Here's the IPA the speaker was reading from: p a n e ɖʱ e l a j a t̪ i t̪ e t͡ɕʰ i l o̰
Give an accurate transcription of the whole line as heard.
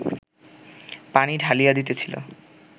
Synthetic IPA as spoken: p a n i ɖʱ a l i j a d̪ i t̪ e t͡ɕʰ i l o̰